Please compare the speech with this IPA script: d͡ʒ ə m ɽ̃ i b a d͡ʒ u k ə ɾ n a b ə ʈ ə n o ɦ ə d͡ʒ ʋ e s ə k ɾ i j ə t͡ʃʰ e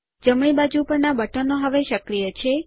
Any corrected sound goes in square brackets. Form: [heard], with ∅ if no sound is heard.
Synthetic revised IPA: d͡ʒ ə m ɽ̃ i b a d͡ʒ u [p] ə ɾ n a b ə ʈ ə n o ɦ ə [∅] ʋ e [ʃ] ə k ɾ i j ə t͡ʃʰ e